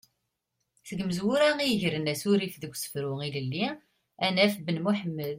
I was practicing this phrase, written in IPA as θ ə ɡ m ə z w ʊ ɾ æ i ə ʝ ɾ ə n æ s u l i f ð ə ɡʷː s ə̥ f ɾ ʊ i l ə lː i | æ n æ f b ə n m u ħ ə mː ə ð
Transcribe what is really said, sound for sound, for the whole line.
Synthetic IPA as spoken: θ ə ɡ m ə z w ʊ ɾ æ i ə ʝ ɾ ə n æ s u ɾ i f ð ə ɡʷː s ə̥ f ɾ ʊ i l ə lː i | æ n æ f b ə n m u ħ ə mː ə ð

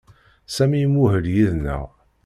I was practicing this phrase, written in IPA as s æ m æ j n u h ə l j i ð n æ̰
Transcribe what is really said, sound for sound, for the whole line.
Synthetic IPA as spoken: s æ m i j m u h ə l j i ð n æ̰

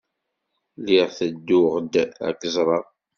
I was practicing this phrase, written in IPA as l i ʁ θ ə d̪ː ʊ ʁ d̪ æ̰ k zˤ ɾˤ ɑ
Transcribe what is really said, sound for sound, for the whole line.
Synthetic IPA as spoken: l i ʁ θ ə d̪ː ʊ ʁ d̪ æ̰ k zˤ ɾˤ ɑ

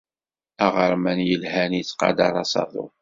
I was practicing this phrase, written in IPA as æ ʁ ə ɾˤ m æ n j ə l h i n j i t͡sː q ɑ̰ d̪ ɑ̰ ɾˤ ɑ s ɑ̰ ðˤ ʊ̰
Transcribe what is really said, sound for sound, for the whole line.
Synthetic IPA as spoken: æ ʁ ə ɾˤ m æ n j ə l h æ n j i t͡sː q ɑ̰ d̪ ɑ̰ ɾˤ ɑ s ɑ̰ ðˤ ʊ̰

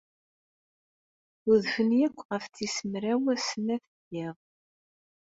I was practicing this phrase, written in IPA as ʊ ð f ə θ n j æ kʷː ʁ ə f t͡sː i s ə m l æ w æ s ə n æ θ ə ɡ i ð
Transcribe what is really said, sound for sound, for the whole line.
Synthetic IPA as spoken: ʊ ð f ə n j æ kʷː ʁ ə f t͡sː i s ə m ɾ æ w æ s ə n æ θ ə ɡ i ʁ

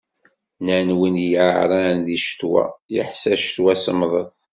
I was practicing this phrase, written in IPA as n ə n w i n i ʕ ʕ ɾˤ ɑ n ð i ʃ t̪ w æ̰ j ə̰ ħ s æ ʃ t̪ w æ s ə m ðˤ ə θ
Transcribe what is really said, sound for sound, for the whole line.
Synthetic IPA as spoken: n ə n w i n j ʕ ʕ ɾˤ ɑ n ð i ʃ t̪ w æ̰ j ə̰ ħ s æ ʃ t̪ w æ s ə m ðˤ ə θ

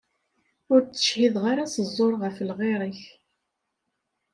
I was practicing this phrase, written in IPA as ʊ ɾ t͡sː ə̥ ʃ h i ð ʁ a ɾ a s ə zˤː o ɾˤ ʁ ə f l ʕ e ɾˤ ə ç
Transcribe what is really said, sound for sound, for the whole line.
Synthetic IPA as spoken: ʊ ɾ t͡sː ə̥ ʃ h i ð ʁ a ɾ a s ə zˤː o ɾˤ ʁ ə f l ʁ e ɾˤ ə ç

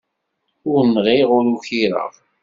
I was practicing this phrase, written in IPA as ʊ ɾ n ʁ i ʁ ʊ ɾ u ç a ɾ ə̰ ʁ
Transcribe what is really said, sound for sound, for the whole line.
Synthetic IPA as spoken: ʊ ɾ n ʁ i ʁ ʊ ɾ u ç i ɾ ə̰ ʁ

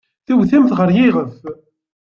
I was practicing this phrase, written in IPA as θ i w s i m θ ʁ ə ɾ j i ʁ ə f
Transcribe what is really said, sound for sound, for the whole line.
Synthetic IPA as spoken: θ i w θ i m θ ʁ ə ɾ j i ʁ ə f

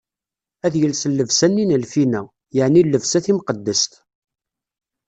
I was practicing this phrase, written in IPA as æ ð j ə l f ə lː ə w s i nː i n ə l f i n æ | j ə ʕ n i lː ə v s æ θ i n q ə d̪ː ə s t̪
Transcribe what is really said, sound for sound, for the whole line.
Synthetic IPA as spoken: æ ð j ə l s ə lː ə v s æ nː i n ə l f i n æ | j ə ʕ n i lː ə v s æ θ i m q ə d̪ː ə s t̪

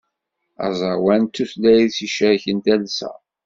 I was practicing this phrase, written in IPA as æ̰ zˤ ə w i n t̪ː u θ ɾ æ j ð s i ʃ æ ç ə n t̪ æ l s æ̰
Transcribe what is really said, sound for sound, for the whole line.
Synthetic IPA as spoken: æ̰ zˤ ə w æ n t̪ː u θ l æ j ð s i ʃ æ ç ə n t̪ æ l s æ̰

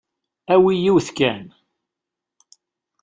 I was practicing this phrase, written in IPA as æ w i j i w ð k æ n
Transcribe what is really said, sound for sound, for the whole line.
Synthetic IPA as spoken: æ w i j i w θ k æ n

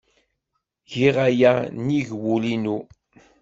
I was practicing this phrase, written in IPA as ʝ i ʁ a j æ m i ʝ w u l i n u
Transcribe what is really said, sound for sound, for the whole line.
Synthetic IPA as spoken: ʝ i ʁ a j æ n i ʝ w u l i n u

